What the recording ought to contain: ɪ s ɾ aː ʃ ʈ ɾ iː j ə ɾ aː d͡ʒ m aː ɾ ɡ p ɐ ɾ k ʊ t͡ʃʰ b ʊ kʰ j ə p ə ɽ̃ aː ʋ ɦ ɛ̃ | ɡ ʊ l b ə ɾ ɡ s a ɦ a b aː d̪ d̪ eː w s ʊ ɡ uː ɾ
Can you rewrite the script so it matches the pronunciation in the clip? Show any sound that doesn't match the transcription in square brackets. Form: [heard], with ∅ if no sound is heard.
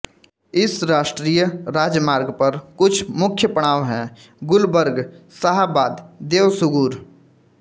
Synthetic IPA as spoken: ɪ s ɾ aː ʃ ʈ ɾ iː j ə ɾ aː d͡ʒ m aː ɾ ɡ p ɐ ɾ k ʊ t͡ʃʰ [m] ʊ kʰ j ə p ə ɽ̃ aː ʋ ɦ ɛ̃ | ɡ ʊ l b ə ɾ ɡ s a ɦ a b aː d̪ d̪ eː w s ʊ ɡ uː ɾ